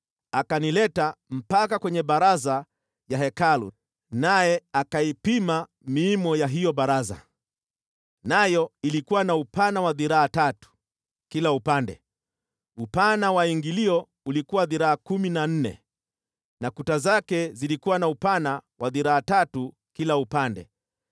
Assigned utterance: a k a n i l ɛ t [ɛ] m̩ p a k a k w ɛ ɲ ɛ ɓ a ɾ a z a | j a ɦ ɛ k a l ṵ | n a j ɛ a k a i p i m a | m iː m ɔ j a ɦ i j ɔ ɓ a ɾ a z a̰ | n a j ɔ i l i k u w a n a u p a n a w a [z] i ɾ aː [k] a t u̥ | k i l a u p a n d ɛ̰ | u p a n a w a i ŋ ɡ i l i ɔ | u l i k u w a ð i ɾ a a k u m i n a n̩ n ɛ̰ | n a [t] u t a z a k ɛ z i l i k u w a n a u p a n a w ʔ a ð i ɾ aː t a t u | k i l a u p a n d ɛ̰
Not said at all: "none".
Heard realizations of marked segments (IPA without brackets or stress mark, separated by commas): a, ð, t, k